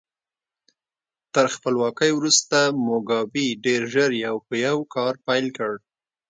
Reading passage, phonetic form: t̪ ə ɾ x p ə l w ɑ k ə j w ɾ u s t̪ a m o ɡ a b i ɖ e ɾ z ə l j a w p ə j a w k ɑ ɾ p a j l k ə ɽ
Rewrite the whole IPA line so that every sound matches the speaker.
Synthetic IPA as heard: t̪ ə ɾ x p ə l w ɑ k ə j w ɾ u s t̪ a m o ɡ ɑ b i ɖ e ɾ ʒ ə ɾ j a w p ə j a w k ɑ ɾ p a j l k ə ɽ